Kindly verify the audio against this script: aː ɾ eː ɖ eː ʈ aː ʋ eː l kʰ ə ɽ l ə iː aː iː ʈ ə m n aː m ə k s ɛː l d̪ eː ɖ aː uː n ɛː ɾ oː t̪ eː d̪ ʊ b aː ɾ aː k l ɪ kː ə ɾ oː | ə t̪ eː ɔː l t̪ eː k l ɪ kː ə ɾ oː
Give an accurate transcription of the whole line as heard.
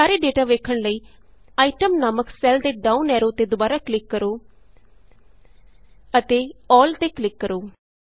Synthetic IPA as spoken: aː ɾ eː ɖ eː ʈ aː ʋ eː kʰ ə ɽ l ə iː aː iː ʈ ə m n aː m ə k s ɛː l d̪ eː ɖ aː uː n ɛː ɾ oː t̪ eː d̪ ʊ b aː ɾ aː k l ɪ kː ə ɾ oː | ə t̪ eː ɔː l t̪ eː k l ɪ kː ə ɾ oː